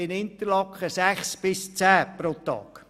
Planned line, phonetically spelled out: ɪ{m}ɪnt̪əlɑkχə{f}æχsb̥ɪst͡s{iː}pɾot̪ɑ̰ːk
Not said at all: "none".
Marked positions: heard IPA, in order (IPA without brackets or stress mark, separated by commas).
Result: n, s, æː